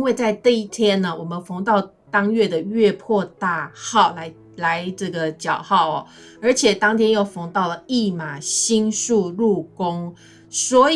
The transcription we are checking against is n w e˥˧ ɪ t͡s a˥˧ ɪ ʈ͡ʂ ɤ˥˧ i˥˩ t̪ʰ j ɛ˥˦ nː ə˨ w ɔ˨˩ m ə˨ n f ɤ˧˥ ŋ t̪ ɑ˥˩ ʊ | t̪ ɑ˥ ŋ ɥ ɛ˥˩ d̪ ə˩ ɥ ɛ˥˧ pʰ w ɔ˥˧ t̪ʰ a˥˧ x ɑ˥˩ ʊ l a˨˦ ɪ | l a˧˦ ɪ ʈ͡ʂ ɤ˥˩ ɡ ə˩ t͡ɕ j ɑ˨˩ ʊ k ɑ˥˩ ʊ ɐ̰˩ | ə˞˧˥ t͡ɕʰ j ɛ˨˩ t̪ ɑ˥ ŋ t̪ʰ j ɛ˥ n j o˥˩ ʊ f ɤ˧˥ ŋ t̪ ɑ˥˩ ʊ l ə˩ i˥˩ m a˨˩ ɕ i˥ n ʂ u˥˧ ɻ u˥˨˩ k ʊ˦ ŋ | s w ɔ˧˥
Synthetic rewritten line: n w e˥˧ ɪ t͡s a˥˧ ɪ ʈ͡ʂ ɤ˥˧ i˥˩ t̪ʰ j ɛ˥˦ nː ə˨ w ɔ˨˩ m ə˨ n f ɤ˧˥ ŋ t̪ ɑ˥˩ ʊ | t̪ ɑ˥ ŋ ɥ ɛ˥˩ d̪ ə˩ ɥ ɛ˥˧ pʰ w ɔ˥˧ t̪ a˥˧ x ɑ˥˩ ʊ l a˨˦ ɪ | l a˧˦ ɪ ʈ͡ʂ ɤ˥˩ ɡ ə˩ t͡ɕ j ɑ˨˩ ʊ x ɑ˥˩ ʊ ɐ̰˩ | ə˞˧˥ t͡ɕʰ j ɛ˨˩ t̪ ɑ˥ ŋ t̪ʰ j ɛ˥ n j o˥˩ ʊ f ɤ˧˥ ŋ t̪ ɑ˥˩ ʊ l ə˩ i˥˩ m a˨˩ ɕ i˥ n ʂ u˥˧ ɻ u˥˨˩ k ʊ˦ ŋ | s w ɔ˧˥